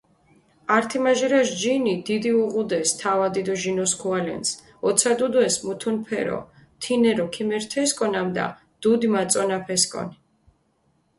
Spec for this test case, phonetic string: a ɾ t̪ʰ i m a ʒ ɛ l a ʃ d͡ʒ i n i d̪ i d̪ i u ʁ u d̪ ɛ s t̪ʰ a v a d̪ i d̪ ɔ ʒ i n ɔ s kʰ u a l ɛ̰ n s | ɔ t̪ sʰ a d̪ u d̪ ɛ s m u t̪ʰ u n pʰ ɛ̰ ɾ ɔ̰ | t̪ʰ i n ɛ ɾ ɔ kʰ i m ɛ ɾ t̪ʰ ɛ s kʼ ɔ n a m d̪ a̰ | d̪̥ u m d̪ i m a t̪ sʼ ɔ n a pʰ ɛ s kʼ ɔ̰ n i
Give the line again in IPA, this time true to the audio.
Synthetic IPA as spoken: a ɾ t̪ʰ i m a ʒ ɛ ɾ a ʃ d͡ʒ i n i d̪ i d̪ i u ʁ u d̪ ɛ s t̪ʰ a v a d̪ i d̪ ɔ ʒ i n ɔ s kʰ u a l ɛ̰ n s | ɔ t̪ sʰ a d̪ u d̪ ɛ s m u t̪ʰ u n pʰ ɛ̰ ɾ ɔ̰ | t̪ʰ i n ɛ ɾ ɔ kʰ i m ɛ ɾ t̪ʰ ɛ s kʼ ɔ n a m d̪ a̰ | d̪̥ u d̪ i m a t̪ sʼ ɔ n a pʰ ɛ s kʼ ɔ̰ n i